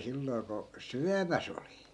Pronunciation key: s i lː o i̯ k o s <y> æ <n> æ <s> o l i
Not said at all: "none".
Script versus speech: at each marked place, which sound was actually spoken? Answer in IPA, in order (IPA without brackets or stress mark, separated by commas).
y, m, s